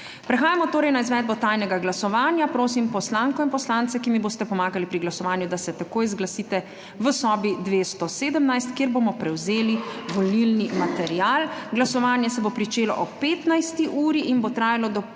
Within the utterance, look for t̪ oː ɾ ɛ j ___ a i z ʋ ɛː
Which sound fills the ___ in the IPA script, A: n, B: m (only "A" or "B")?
A